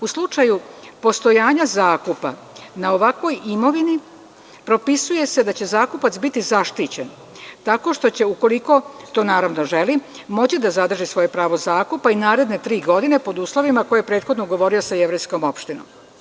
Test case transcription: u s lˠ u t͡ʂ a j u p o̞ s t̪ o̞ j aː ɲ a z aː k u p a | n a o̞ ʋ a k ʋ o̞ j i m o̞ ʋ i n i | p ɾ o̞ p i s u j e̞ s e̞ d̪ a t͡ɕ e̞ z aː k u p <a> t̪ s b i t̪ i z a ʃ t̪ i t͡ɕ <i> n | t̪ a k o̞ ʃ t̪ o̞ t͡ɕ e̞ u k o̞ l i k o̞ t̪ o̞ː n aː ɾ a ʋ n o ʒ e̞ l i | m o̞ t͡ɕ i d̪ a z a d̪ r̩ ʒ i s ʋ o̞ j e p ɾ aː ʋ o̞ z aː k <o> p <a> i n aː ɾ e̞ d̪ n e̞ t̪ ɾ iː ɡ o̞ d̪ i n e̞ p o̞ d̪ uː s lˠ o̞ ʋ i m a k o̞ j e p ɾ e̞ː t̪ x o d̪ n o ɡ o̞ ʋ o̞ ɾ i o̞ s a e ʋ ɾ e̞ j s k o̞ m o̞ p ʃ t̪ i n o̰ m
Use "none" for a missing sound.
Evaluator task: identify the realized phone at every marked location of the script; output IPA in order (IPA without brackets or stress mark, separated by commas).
a, e, u, a